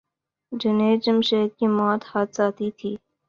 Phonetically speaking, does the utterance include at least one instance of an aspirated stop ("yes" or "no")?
yes